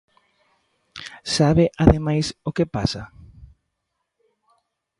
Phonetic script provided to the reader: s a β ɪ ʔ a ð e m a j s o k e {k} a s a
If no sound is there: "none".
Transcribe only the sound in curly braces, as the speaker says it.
p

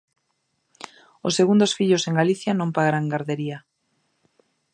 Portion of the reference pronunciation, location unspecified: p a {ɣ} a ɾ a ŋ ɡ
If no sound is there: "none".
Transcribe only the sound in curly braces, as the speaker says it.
ɣ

